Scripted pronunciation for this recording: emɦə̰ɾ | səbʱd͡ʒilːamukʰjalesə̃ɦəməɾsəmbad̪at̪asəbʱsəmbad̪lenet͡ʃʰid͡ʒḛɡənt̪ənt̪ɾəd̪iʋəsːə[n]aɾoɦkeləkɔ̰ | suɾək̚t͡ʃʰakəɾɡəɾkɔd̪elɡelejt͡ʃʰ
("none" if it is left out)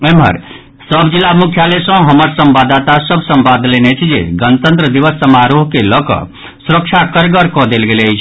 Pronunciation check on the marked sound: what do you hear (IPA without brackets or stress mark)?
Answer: m